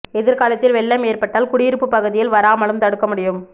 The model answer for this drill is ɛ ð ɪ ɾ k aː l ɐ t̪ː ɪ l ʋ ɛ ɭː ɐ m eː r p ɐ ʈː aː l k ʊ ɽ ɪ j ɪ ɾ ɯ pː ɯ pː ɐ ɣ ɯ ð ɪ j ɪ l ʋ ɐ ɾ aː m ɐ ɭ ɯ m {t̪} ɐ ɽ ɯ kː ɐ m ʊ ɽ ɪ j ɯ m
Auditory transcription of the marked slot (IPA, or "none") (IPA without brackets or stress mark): t̪